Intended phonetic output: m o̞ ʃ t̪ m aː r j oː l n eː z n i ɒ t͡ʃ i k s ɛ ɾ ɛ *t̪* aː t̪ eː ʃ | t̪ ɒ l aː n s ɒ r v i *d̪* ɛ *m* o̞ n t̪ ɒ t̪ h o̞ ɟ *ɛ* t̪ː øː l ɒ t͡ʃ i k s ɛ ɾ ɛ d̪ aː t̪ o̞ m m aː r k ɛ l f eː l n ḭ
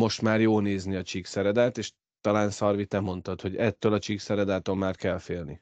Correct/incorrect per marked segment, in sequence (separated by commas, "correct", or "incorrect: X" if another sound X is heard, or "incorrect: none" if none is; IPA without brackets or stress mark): incorrect: d̪, incorrect: t̪, correct, correct